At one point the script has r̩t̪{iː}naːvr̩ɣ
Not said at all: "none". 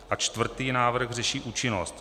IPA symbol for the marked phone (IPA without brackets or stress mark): iː